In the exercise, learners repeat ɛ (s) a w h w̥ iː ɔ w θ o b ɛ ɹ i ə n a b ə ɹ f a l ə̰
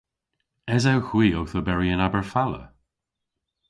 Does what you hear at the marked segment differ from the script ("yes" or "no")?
yes